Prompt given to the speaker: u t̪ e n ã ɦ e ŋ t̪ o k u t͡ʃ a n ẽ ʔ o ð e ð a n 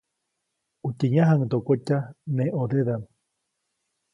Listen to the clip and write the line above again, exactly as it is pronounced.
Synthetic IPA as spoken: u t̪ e ɲ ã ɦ a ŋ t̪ o k o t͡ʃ a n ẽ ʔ o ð e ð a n